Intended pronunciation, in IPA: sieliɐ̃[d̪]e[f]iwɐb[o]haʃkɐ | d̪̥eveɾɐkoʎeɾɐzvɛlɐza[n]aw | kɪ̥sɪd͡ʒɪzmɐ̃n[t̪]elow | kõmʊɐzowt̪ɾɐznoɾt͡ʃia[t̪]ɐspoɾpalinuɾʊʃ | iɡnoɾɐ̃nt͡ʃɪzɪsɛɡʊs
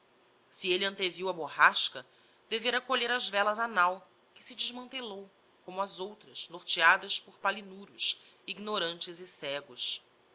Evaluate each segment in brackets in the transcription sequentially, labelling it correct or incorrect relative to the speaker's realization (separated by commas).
incorrect, incorrect, correct, correct, correct, incorrect